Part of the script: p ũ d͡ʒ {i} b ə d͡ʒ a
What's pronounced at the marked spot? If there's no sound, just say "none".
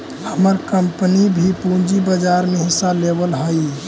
i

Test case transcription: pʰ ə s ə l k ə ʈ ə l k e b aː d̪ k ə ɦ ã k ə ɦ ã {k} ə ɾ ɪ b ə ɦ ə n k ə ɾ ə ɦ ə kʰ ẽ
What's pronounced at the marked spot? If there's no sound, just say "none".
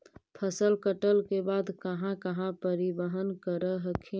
p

